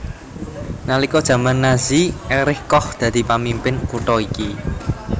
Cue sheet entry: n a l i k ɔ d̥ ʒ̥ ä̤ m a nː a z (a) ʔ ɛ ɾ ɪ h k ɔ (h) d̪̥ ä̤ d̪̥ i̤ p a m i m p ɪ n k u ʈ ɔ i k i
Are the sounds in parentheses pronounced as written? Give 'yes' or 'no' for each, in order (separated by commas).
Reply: no, yes